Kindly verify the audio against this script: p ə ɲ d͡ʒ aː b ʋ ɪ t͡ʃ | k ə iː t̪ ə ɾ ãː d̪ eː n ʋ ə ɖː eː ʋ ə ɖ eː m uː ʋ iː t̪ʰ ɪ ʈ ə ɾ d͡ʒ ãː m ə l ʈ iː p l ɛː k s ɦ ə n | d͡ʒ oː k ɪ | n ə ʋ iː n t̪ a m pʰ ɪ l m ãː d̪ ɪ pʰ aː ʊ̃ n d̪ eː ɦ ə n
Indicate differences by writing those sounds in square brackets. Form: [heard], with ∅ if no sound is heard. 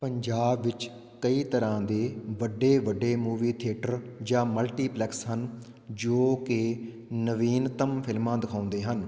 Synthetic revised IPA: p ə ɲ d͡ʒ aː b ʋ ɪ t͡ʃ | k ə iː t̪ ə ɾ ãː d̪ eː [∅] ʋ ə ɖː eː ʋ ə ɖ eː m uː ʋ iː t̪ʰ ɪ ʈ ə ɾ d͡ʒ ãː m ə l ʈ iː p l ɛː k s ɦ ə n | d͡ʒ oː k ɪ | n ə ʋ iː n t̪ [ə] m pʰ ɪ l m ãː d̪ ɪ [kʰ] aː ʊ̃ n d̪ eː ɦ ə n